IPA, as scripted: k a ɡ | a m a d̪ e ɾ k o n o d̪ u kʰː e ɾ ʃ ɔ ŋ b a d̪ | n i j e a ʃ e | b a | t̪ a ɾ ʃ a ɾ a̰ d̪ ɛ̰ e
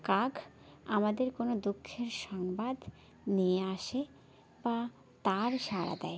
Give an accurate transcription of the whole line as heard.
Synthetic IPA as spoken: k a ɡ | a m a d̪ e ɾ k o n o d̪ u kʰː e ɾ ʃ ɔ ŋ b a d̪ | n i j e a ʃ e | b a | t̪ a ɾ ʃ a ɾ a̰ d̪ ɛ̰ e

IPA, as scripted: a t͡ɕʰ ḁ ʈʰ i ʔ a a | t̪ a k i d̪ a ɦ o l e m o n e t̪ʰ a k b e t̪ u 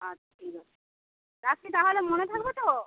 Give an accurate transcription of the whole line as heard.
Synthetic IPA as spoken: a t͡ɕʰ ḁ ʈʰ i k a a | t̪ a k i t̪ a ɦ o l e m o n e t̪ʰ a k b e t̪ o

